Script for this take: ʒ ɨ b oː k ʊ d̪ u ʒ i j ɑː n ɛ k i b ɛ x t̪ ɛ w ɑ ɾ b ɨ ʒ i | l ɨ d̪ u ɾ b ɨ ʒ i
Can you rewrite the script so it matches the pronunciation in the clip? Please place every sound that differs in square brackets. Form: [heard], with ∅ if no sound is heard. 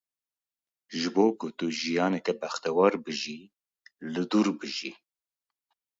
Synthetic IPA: ʒ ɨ b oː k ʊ [t̪] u ʒ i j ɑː n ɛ k [ɛ] b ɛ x t̪ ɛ w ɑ ɾ b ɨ ʒ i | l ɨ d̪ u ɾ b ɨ ʒ i